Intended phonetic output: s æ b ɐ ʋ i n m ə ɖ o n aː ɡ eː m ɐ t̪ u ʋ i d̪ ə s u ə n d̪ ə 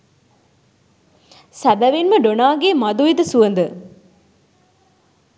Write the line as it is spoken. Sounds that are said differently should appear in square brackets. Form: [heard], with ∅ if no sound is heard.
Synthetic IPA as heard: s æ b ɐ ʋ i n m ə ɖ o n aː ɡ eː m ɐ [d̪] u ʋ i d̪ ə s u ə n d̪ ə